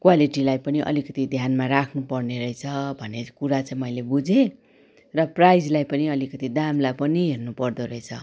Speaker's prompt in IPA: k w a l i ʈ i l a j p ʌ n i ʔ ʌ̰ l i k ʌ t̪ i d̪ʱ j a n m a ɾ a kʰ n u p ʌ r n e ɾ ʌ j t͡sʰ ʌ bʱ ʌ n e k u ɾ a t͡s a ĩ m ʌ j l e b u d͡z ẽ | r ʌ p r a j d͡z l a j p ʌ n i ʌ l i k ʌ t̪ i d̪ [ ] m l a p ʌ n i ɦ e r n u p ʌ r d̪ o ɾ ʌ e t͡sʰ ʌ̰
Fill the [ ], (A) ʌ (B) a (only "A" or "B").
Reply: B